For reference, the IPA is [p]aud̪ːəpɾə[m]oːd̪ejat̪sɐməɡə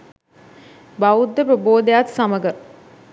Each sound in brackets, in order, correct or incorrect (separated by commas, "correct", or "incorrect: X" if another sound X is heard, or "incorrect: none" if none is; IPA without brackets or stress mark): incorrect: b, incorrect: b